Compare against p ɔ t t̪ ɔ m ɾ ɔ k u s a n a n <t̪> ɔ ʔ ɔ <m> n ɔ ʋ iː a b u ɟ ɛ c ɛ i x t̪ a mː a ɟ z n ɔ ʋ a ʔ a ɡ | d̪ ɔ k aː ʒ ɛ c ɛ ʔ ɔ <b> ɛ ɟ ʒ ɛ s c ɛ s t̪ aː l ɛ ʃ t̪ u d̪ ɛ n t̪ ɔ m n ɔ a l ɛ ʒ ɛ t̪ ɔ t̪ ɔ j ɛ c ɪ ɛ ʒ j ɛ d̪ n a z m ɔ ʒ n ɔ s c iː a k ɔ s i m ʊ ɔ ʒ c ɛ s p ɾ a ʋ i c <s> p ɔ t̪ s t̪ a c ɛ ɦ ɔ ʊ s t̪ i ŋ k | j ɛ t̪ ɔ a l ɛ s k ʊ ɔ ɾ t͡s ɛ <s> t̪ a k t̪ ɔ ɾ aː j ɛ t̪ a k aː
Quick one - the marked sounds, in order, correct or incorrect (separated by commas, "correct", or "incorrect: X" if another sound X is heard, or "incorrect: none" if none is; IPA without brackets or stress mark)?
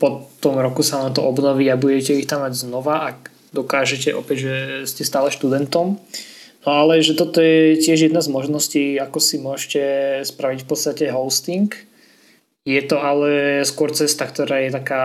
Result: correct, incorrect: b, incorrect: p, incorrect: f, correct